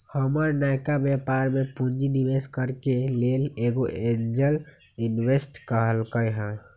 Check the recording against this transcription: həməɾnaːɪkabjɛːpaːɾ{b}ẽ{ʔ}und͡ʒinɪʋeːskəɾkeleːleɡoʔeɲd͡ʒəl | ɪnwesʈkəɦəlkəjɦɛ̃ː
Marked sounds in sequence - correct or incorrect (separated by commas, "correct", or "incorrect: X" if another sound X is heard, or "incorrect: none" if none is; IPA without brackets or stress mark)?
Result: incorrect: m, incorrect: p